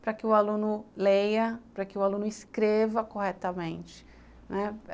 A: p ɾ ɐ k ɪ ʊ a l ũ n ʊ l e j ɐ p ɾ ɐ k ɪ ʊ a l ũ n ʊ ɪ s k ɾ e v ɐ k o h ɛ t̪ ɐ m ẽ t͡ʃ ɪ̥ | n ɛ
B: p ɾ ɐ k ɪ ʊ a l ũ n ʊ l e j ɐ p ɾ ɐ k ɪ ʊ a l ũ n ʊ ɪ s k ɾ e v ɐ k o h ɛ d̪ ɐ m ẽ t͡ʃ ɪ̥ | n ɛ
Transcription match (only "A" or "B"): A